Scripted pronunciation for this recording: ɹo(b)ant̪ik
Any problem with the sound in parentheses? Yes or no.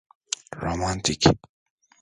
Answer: yes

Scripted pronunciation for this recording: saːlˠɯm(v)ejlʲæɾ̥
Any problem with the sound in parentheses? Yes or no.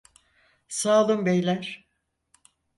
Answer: yes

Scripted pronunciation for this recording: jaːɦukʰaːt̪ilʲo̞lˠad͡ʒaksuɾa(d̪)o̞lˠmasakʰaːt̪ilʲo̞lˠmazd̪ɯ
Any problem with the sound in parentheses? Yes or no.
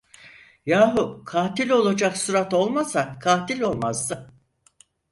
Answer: yes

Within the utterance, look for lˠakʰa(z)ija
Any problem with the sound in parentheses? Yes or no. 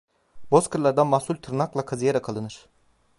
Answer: no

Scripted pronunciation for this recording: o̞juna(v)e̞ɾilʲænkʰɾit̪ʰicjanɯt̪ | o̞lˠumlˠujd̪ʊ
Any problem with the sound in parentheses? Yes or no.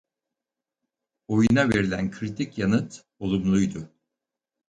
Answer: no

